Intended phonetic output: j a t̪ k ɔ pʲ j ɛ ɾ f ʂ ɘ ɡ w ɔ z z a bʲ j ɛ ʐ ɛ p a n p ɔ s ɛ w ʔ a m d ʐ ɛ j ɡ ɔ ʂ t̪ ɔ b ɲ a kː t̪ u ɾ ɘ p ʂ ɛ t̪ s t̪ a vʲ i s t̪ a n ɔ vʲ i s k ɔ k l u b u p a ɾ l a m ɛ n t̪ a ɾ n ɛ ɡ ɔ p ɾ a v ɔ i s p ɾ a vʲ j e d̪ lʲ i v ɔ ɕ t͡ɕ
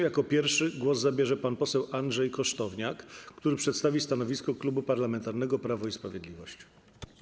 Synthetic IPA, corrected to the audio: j a k ɔ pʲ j ɛ ɾ f ʂ ɘ ɡ w ɔ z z a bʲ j ɛ ʐ ɛ p a n p ɔ s ɛ w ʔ a n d ʐ ɛ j k ɔ ʂ t̪ ɔ v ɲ a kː t̪ u ɾ ɘ p ʂ ɛ t̪ s t̪ a vʲ i s t̪ a n ɔ vʲ i s k ɔ k l u b u p a ɾ l a m ɛ n t̪ a ɾ n ɛ ɡ ɔ p ɾ a v ɔ i s p ɾ a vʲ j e d̪ lʲ i v ɔ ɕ t͡ɕ

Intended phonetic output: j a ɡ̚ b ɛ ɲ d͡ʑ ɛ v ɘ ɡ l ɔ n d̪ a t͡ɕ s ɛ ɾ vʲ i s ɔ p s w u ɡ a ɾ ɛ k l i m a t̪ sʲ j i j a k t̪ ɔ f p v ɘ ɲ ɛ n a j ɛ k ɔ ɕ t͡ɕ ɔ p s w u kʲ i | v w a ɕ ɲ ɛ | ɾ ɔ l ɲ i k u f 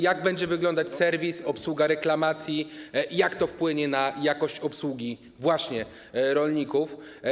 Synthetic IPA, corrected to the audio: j a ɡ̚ b ɛ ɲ d͡ʑ ɛ v ɘ ɡ l ɔ n d̪ a t͡ɕ s ɛ ɾ vʲ i s ɔ p s w u ɡ a ɾ ɛ k l a m a t̪ sʲ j i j a k t̪ ɔ f p w ɘ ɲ ɛ n a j a k ɔ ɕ t͡ɕ ɔ p s w u ɡʲ i | v w a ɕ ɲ ɛ | ɾ ɔ l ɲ i k u f

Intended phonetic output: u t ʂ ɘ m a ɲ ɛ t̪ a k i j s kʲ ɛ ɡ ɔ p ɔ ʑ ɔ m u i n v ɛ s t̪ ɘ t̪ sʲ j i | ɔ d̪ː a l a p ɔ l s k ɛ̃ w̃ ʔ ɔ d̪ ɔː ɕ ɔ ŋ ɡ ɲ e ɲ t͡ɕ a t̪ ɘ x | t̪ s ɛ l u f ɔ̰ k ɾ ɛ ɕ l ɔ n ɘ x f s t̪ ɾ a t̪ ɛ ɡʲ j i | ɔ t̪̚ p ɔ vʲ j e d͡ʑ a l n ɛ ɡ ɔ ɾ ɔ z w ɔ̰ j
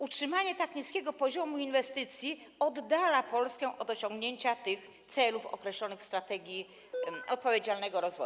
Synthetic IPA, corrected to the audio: u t ʂ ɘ m a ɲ ɛ t̪ a k i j s kʲ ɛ ɡ ɔ p ɔ ʑ ɔ m u i n v ɛ s t̪ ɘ t̪ sʲ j i | ɔ d̪ː a l a p ɔ l s k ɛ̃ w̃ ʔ ɔ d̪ ɔ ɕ ɔ ŋ ɡ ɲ e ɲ t͡ɕ a t̪ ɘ x | t̪ s ɛ l u f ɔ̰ k ɾ ɛ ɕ l ɔ n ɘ x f s t̪ ɾ a t̪ ɛ ɡʲ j i | ɔ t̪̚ p ɔ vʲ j e d͡ʑ a l n ɛ ɡ ɔ ɾ ɔ z v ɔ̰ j

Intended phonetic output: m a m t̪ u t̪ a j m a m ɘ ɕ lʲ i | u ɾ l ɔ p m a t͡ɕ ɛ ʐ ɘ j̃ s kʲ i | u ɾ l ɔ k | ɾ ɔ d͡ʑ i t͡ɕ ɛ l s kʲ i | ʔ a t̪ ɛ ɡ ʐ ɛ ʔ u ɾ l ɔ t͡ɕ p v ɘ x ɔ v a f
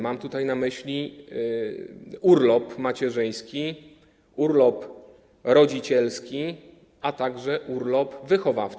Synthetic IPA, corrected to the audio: m a m t̪ u t̪ a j n a m ɘ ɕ lʲ i | u ɾ l ɔ p m a t͡ɕ ɛ ʐ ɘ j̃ s kʲ i | u ɾ l ɔ p | ɾ ɔ d͡ʑ i t͡ɕ ɛ l s kʲ i | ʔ a t̪ a ɡ ʐ ɛ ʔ u ɾ l ɔ p v ɘ x ɔ v a f

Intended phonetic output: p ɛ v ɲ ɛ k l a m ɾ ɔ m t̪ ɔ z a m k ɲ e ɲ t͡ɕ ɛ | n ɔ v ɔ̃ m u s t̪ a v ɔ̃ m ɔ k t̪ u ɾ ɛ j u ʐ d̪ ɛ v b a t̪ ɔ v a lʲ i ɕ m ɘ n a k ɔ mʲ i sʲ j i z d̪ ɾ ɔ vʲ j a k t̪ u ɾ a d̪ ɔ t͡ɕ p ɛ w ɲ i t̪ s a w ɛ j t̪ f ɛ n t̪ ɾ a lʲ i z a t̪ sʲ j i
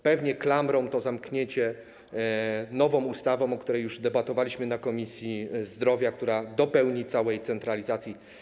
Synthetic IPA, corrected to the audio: p ɛ v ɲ ɛ k l a m ɾ ɔ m t̪ ɔ z a m k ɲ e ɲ t͡ɕ ɛ | n ɔ v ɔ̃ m u s t̪ a v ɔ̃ m ɔ k t̪ u ɾ ɛ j u ʐ d̪ ɛ b a t̪ ɔ v a lʲ i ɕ m ɘ n a k ɔ mʲ i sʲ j i z d̪ ɾ ɔ vʲ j a k t̪ u ɾ a d̪ ɔ p ɛ w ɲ i t̪ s a w ɛ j t̪ s ɛ n t̪ ɾ a lʲ i z a t̪ sʲ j i

